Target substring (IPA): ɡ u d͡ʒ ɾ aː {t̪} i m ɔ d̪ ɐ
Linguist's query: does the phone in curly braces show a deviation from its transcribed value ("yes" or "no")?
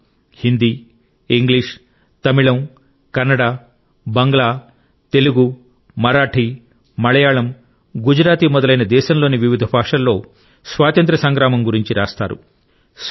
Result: no